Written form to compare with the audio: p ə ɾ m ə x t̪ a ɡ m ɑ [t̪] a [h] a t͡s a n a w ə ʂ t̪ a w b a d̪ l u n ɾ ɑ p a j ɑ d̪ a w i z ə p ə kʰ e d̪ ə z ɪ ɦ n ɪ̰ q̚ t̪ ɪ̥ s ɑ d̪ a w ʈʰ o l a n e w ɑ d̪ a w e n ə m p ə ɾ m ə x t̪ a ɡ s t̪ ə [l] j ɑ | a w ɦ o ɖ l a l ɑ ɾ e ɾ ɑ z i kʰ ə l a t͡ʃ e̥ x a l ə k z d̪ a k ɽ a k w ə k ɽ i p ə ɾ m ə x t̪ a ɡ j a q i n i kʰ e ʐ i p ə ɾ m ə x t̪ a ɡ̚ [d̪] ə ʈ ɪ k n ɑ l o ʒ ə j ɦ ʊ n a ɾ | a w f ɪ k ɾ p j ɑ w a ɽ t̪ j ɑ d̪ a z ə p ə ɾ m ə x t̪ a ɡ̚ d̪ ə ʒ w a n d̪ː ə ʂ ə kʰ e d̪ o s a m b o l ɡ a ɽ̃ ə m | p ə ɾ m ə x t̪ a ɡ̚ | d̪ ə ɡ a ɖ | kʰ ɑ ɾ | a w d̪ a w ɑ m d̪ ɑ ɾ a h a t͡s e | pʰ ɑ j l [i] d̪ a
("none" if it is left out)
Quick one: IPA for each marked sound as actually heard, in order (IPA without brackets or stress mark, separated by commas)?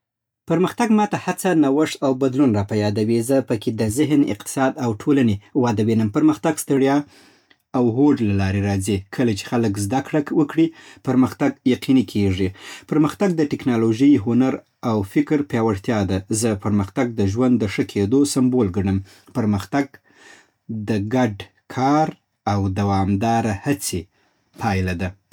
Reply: t̪, h, ɽ, d̪, a